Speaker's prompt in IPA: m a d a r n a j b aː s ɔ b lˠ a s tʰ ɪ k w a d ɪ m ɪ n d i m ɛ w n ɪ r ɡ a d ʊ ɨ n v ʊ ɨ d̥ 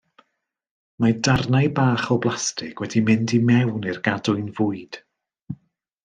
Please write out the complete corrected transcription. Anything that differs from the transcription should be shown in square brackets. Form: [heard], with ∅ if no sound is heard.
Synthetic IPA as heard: m a d a r n a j b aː [χ] ɔ b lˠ a s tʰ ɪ k w [ɛ] d [i] m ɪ n d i m ɛ w n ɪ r ɡ a d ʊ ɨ n v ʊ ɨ d̥